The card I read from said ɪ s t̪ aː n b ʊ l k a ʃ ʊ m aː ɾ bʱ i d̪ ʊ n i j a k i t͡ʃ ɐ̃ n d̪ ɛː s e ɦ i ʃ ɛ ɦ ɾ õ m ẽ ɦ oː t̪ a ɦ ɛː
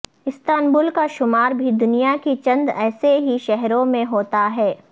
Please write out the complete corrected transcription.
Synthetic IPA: ɪ s t̪ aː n b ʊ l k a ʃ ʊ m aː ɾ bʱ i d̪ ʊ n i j a k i t͡ʃ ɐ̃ n d̪ ɛː s e ɦ i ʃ ɛ ɦ ɾ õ m ẽ ɦ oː t̪ a ɦ ɛː